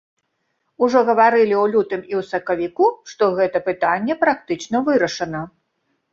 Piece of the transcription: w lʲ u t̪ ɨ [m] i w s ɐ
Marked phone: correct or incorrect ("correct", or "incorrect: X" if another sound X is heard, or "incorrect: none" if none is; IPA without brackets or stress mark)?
correct